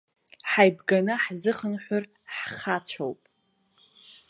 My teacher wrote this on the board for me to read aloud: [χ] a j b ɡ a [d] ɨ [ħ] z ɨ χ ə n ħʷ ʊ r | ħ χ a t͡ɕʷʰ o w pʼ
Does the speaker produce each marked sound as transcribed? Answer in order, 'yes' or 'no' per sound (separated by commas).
no, no, yes